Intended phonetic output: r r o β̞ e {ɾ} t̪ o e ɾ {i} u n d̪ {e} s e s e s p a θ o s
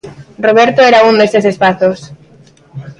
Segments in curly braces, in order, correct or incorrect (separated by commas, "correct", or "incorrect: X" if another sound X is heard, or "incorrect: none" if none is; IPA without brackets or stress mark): correct, incorrect: a, correct